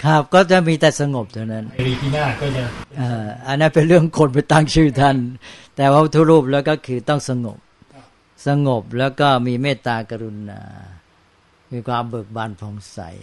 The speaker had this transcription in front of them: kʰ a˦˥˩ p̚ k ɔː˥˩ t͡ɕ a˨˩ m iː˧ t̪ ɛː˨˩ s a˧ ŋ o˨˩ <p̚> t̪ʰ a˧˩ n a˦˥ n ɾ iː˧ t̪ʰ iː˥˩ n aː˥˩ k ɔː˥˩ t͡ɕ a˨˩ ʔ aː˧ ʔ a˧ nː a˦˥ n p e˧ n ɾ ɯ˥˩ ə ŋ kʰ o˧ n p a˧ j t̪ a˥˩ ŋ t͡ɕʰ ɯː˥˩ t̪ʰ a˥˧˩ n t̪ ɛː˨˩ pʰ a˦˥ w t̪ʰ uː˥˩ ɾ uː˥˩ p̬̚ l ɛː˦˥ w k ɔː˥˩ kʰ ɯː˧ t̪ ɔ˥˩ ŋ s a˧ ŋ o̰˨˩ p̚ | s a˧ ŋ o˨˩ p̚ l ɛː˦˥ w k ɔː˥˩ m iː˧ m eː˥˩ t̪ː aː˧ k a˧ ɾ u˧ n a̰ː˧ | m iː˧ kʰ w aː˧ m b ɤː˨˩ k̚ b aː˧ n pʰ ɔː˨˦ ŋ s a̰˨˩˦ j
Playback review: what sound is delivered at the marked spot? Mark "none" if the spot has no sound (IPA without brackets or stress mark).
p̚